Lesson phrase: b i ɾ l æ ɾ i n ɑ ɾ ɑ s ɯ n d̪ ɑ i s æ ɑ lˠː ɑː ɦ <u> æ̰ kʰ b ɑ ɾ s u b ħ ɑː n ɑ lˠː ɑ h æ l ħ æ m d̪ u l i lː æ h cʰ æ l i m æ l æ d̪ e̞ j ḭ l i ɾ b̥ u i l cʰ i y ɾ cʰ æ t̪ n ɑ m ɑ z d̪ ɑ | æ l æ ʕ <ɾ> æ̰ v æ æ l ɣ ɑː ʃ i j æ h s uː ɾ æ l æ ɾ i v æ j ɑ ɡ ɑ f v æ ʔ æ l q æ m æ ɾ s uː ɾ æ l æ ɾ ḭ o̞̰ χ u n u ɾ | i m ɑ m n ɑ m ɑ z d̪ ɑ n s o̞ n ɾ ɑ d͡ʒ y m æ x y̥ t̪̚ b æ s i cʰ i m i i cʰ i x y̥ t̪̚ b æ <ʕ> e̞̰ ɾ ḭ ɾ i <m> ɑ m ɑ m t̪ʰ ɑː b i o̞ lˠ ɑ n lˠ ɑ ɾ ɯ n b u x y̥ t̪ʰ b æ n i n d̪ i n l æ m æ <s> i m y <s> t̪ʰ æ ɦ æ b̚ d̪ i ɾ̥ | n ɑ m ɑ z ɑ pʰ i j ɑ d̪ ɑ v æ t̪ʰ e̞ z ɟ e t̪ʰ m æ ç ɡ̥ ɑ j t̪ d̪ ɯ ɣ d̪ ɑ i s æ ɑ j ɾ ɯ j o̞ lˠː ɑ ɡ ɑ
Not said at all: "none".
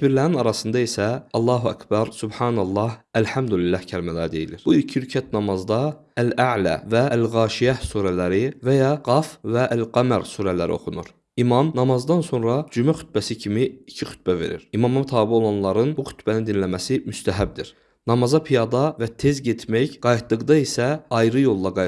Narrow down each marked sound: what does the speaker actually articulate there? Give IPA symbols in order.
u, l, v, m, s, s

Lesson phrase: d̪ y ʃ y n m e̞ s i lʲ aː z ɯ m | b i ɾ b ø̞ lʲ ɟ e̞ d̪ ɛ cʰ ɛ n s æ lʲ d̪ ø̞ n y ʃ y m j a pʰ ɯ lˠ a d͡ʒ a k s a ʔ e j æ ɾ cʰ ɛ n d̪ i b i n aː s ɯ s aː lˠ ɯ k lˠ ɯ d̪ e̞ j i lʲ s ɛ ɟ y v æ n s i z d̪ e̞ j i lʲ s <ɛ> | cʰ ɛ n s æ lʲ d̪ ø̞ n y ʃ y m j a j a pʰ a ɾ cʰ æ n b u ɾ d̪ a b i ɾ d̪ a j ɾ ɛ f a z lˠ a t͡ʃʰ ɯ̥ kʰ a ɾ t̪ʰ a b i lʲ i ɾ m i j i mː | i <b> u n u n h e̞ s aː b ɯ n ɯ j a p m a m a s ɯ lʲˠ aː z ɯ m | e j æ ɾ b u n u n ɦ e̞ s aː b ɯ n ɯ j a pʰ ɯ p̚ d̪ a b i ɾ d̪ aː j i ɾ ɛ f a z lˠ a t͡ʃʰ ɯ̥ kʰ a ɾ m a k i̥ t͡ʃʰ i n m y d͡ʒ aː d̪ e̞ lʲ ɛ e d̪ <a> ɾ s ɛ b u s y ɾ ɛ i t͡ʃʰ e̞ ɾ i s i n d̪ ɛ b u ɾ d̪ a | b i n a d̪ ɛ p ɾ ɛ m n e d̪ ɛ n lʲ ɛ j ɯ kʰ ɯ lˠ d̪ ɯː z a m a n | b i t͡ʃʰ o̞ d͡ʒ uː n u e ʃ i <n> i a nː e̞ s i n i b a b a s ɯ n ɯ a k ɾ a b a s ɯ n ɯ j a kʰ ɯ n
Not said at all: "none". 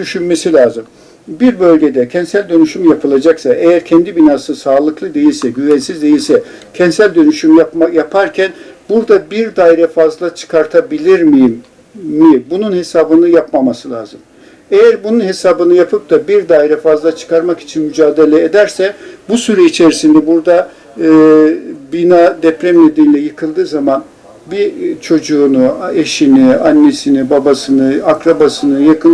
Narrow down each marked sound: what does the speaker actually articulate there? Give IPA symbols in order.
ɛ, b, æ, n

